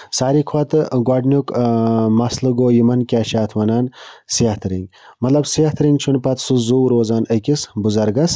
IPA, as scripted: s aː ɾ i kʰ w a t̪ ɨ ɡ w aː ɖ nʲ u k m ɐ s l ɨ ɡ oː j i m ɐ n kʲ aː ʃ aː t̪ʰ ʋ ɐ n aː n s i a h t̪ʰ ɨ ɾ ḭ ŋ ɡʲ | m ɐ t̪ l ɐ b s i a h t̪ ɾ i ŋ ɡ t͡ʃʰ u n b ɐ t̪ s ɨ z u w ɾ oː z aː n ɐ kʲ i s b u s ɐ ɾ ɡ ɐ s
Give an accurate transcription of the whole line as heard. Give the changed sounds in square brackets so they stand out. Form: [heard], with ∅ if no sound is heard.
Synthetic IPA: s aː ɾ i kʰ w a t̪ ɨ ɡ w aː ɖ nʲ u k m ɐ s l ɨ ɡ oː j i m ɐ n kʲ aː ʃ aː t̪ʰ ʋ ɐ n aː n s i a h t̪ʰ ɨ ɾ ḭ ŋ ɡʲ | m ɐ t̪ l ɐ b s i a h t̪ ɾ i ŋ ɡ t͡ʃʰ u n [p] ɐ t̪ s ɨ z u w ɾ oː z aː n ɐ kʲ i s b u [z] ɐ ɾ ɡ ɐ s